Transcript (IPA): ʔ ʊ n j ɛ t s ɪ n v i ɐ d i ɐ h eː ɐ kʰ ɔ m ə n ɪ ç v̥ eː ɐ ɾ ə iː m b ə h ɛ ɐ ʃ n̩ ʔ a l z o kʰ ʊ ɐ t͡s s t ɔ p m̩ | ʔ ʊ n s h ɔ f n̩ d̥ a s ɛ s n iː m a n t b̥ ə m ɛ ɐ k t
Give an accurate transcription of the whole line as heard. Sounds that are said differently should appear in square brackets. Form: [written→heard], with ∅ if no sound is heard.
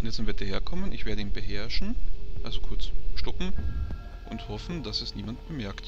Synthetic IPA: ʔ ʊ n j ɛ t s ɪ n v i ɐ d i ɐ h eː ɐ kʰ ɔ m ə n ɪ ç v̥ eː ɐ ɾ ə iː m b ə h ɛ ɐ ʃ n̩ ʔ a l z o kʰ ʊ ɐ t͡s [s→ʃ] t ɔ p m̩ | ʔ ʊ n [s→t] h ɔ f n̩ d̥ a s ɛ s n iː m a n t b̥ ə m ɛ ɐ k t